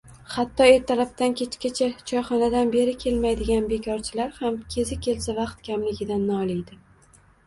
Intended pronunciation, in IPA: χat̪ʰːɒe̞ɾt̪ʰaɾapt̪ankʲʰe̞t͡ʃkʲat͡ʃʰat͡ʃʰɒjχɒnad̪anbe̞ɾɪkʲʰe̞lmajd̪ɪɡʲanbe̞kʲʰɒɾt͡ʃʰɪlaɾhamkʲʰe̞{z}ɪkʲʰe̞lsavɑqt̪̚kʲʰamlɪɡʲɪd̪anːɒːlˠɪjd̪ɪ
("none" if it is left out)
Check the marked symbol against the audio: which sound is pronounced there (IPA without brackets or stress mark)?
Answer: z